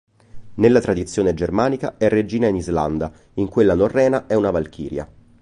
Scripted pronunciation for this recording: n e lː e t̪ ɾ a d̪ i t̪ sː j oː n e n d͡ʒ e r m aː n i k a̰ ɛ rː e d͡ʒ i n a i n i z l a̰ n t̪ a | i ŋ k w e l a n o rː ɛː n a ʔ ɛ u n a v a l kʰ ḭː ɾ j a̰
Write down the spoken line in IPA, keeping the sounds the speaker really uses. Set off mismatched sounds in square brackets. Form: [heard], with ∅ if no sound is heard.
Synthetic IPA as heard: n e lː [a] t̪ ɾ a d̪ i t̪ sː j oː n e [∅] d͡ʒ e r m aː n i k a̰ ɛ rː e d͡ʒ [iː] n a i n i z l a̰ n [d̪] a | i ŋ k w e [lː] a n o rː ɛː n a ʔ ɛ u n a v a l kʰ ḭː ɾ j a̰

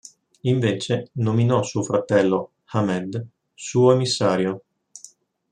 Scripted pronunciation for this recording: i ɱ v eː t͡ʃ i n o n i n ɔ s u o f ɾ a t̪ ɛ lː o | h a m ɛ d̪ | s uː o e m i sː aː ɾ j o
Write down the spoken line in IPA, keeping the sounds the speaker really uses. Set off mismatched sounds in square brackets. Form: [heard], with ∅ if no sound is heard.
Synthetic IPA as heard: i ɱ v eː t͡ʃ [e] n o [m] i n ɔ s u o f ɾ a t̪ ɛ lː o | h a m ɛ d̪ | s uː o e m i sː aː ɾ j o

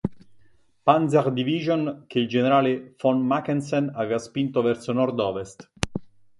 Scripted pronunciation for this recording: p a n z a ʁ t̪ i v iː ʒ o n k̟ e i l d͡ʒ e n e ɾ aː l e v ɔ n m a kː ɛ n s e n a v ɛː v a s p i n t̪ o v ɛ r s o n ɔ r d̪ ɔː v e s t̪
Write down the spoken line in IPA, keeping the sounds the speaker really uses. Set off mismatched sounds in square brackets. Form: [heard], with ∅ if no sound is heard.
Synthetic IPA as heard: p a n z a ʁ [d̪] i v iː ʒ o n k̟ e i l d͡ʒ e n e ɾ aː l e [f] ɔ n m a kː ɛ n s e n a v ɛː v a s p i n t̪ o v ɛ r s o n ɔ r d̪ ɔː v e s t̪

